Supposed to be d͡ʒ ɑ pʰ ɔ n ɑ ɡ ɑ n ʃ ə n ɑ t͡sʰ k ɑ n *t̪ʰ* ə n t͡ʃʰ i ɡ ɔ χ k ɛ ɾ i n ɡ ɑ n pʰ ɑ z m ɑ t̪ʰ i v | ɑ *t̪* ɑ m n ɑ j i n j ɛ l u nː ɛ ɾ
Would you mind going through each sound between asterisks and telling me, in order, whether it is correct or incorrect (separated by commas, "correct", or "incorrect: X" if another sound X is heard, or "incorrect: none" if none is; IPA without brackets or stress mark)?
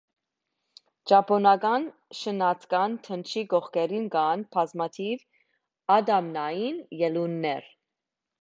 correct, incorrect: d̪